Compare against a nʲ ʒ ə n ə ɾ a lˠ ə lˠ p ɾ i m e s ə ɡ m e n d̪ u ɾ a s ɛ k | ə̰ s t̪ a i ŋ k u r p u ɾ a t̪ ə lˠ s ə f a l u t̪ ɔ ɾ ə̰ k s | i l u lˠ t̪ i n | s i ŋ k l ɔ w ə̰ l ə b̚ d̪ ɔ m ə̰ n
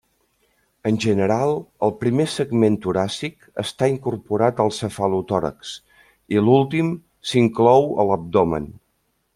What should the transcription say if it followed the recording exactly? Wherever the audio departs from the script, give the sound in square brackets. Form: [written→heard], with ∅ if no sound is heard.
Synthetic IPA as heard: [a→ə] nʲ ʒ ə n ə ɾ a lˠ ə lˠ p ɾ i m e s ə ɡ m e n [d̪→t̪] u ɾ a s [ɛ→i] k | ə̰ s t̪ a i ŋ k u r p u ɾ a t̪ ə lˠ s ə f a l u t̪ ɔ ɾ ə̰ k s | i l u lˠ t̪ i [n→m] | s i ŋ k l ɔ w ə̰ l ə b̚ d̪ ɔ m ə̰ n